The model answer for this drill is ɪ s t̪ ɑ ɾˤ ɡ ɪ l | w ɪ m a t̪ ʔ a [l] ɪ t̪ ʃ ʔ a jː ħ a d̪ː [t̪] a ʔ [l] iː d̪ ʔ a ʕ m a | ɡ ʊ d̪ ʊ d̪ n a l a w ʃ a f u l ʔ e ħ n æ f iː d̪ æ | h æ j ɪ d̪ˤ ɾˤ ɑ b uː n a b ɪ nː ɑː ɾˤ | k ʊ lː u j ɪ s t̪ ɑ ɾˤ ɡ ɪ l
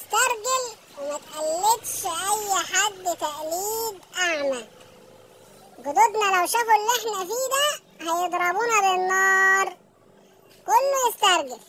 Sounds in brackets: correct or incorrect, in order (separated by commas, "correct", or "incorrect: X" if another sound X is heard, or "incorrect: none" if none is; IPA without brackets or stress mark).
incorrect: lː, correct, correct